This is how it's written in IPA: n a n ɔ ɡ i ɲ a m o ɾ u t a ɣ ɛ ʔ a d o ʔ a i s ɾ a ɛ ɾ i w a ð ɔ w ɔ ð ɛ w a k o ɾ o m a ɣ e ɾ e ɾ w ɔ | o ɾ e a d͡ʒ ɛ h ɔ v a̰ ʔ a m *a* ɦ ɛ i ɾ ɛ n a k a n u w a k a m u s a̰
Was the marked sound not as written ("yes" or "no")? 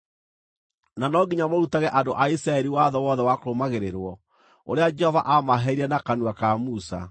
no